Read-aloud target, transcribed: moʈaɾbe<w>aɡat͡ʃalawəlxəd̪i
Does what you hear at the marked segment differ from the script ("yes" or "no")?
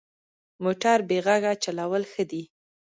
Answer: yes